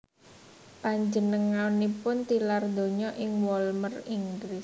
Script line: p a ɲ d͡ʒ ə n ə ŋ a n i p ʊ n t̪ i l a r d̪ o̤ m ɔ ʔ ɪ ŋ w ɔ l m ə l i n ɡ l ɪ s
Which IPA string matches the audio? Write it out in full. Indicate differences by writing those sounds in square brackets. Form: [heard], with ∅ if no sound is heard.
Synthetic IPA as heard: p a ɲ d͡ʒ ə n ə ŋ a n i p ʊ n t̪ i l a r d̪ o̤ [ɲ] ɔ ʔ ɪ ŋ w ɔ l m ə [r] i [ŋ] ɡ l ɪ s